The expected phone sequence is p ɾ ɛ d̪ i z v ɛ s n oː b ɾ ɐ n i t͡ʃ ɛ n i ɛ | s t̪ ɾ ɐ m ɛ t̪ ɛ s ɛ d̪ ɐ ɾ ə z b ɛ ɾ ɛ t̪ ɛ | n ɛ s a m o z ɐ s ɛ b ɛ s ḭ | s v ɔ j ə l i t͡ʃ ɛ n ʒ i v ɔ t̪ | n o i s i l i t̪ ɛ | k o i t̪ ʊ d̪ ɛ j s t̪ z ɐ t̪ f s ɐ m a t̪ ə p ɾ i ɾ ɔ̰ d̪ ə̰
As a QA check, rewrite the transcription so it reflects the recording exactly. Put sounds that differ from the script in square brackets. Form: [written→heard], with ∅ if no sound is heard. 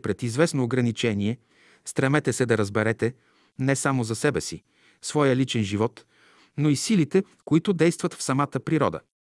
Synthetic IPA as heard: p ɾ ɛ [d̪→t̪] i z v ɛ s n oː [b→ɡ] ɾ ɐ n i t͡ʃ ɛ n i ɛ | s t̪ ɾ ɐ m ɛ t̪ ɛ s ɛ d̪ ɐ ɾ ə z b ɛ ɾ ɛ t̪ ɛ | n ɛ s a m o z ɐ s ɛ b ɛ s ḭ | s v ɔ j ə l i t͡ʃ ɛ n ʒ i v ɔ t̪ | n o i s i l i t̪ ɛ | k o i t̪ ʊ d̪ ɛ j s t̪ [z→v] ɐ t̪ f s ɐ m a t̪ ə p ɾ i ɾ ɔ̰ d̪ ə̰